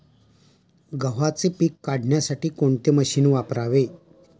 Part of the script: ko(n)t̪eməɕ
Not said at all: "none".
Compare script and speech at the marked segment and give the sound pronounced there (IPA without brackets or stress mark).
ɳ